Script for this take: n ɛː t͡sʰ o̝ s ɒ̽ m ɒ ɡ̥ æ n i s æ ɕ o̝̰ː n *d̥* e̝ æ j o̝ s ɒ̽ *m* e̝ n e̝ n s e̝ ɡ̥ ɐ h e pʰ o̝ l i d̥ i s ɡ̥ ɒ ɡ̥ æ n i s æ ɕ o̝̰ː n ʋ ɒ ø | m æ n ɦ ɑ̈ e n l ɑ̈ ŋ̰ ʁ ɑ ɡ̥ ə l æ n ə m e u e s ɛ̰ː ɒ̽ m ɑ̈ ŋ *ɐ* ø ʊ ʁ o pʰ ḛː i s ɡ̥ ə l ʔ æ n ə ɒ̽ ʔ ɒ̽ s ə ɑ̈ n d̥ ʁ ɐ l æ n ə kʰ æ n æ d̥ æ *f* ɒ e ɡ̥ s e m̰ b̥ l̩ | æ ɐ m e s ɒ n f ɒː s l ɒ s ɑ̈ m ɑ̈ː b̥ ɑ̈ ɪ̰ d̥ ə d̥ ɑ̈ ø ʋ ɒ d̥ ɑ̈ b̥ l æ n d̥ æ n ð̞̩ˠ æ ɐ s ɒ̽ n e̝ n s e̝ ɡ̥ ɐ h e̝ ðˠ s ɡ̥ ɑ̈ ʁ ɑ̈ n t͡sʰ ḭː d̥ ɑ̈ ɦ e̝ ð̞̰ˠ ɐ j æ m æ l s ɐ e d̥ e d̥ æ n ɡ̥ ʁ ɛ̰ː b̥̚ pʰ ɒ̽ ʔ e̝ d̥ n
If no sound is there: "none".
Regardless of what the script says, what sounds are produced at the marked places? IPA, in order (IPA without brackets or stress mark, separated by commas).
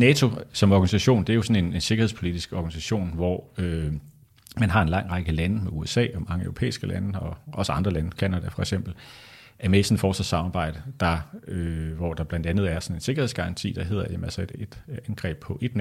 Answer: d̥, n, ə, f